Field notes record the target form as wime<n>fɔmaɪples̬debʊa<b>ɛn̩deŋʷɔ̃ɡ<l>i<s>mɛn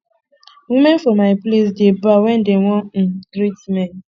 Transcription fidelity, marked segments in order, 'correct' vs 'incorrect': correct, incorrect, incorrect, incorrect

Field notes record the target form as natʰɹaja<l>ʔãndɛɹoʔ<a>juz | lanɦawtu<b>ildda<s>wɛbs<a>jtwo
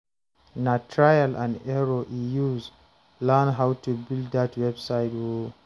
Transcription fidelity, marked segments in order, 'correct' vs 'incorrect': correct, incorrect, correct, incorrect, correct

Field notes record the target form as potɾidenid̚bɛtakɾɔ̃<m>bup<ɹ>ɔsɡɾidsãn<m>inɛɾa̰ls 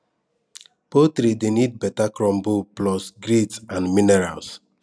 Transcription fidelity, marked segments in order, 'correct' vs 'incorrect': correct, incorrect, correct

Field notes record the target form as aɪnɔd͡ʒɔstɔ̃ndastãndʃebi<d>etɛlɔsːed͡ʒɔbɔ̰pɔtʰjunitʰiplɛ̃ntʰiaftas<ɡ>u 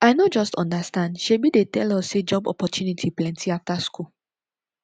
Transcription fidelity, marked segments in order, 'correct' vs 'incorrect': correct, incorrect

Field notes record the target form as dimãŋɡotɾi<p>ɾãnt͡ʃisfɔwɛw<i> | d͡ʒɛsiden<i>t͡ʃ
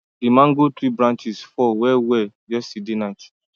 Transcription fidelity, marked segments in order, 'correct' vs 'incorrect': incorrect, incorrect, incorrect

